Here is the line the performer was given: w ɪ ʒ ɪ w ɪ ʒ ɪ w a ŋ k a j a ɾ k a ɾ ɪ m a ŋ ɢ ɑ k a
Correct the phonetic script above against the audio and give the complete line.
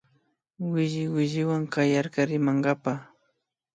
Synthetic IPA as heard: w ɪ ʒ ɪ w ɪ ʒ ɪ w a ŋ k a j a ɾ k a ɾ ɪ m a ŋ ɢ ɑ p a